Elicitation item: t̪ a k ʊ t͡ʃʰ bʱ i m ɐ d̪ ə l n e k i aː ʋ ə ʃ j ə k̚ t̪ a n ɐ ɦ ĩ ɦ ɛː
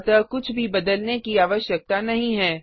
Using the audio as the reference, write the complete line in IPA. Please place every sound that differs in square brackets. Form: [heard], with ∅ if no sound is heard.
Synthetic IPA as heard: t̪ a k ʊ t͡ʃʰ bʱ i [b] ɐ d̪ ə l n e k i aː ʋ ə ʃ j ə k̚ t̪ a n ɐ ɦ ĩ ɦ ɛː